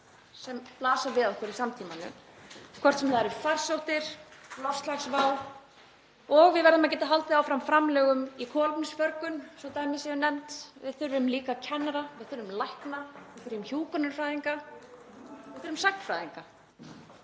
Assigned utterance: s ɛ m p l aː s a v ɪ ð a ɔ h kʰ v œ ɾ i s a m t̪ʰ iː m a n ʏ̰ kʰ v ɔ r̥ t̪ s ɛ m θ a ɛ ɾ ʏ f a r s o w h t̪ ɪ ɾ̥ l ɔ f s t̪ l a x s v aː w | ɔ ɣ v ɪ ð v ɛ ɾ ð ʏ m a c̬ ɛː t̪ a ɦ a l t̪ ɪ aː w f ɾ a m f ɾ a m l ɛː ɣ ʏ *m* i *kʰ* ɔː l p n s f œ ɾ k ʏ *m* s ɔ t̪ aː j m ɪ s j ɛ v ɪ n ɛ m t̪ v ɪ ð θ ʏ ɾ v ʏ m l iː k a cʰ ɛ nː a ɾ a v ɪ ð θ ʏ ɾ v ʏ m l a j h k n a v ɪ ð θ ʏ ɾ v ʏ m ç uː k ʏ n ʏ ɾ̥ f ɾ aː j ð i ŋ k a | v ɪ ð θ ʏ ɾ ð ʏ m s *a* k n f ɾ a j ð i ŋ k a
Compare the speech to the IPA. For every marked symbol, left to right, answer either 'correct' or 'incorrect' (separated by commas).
correct, correct, incorrect, correct